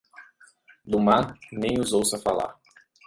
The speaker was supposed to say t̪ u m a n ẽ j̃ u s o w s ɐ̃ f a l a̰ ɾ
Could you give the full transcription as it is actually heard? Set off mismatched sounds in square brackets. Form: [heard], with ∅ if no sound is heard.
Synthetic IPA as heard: [d̪] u m a n ẽ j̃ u [z] o w s [ɐ] f a l a̰ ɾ